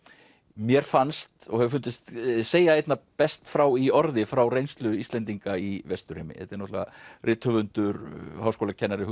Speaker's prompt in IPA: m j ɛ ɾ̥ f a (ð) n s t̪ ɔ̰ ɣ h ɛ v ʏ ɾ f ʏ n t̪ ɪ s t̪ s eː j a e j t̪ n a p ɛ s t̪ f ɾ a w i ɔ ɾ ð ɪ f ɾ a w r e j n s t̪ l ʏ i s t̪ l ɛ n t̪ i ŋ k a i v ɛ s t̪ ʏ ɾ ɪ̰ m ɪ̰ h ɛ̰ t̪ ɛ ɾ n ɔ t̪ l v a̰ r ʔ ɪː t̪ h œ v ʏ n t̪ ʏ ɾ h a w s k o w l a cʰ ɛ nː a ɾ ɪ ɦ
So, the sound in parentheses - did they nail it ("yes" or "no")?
no